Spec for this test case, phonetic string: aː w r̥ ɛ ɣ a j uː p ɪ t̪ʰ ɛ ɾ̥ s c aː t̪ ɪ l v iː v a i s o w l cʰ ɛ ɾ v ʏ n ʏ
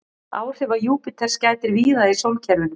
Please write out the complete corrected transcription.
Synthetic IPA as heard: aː w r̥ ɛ v a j uː p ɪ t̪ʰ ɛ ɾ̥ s c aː t̪ ɪ ɾ v iː ð a i s o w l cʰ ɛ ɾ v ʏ n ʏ